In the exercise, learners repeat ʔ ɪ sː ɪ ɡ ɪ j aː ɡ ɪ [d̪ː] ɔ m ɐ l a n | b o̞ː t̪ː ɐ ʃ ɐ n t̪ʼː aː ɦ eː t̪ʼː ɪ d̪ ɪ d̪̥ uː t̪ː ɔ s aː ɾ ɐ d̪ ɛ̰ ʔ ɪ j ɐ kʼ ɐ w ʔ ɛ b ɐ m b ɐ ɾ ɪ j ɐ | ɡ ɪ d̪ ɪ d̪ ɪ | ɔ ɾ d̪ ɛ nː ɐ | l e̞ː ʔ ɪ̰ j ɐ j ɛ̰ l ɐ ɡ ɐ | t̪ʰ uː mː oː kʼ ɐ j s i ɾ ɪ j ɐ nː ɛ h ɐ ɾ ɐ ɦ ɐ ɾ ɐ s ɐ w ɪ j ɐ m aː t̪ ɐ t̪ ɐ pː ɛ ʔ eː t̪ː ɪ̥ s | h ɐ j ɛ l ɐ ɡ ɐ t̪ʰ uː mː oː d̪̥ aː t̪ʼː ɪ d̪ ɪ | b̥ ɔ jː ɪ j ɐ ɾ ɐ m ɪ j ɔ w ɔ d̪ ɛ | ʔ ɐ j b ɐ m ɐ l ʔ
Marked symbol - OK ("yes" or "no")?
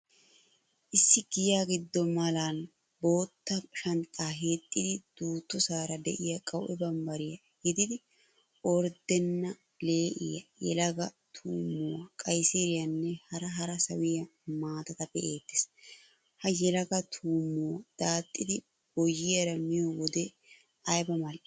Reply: yes